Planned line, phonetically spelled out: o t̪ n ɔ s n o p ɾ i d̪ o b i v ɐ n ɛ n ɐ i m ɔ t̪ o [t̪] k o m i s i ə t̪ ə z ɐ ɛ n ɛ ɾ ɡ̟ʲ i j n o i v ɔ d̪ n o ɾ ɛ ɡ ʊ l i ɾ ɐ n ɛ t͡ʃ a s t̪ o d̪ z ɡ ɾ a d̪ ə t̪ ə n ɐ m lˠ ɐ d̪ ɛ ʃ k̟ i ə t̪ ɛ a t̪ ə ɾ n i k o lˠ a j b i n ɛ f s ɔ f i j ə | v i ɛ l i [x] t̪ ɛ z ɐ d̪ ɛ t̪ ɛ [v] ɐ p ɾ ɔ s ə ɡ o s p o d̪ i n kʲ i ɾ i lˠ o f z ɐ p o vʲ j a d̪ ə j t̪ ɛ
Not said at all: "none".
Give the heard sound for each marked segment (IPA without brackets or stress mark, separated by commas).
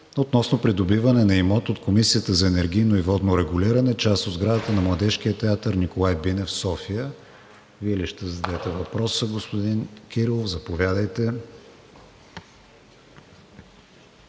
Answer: t̪, ʃ, v